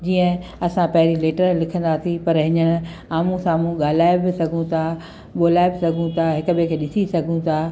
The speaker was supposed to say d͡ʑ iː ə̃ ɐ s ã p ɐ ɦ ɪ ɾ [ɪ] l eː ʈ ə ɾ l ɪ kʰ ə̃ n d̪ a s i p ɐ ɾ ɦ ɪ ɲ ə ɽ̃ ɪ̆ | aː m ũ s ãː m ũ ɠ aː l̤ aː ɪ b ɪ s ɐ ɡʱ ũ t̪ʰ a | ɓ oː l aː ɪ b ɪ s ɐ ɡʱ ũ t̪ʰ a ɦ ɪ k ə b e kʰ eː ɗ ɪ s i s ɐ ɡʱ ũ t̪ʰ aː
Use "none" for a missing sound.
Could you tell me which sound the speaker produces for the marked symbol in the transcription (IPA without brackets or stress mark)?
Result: i